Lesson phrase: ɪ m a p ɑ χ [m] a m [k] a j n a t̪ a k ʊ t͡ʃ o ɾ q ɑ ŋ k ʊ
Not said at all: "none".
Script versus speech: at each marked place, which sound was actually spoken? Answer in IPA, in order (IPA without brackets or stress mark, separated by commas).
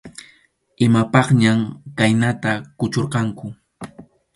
ɲ, k